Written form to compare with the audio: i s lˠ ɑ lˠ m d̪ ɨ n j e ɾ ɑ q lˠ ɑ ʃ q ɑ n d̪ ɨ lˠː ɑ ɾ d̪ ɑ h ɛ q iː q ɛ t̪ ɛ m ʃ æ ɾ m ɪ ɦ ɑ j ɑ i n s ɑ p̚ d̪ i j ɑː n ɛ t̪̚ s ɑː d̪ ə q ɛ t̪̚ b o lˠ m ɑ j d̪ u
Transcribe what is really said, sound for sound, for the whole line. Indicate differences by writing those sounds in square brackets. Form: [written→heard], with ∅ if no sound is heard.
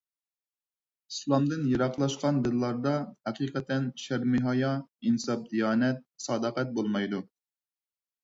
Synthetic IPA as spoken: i s lˠ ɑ [lˠ→∅] m d̪ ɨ n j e ɾ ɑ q lˠ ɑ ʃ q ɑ n d̪ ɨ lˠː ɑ ɾ d̪ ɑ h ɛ q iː q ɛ t̪ ɛ [m→n] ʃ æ ɾ m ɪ ɦ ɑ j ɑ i n s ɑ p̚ d̪ i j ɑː n ɛ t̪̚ s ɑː d̪ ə q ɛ t̪̚ b o lˠ m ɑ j d̪ u